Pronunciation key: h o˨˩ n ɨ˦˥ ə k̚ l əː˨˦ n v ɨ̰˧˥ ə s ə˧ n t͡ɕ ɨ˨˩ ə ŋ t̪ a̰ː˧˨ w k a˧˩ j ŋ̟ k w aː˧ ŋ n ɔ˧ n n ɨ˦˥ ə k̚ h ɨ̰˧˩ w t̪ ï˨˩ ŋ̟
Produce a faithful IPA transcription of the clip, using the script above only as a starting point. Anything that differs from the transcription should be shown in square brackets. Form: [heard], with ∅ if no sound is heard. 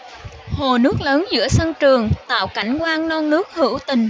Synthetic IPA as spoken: h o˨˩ n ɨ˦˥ ə k̚ l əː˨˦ n [z] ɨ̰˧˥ ə s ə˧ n t͡ɕ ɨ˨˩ ə ŋ t̪ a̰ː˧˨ w k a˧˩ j ŋ̟ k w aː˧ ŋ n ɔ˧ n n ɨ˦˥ ə k̚ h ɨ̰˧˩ w t̪ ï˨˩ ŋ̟